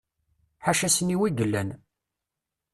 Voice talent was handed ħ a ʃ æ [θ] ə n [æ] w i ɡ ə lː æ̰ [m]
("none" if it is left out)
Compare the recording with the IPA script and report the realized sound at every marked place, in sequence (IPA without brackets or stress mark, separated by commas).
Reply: s, i, n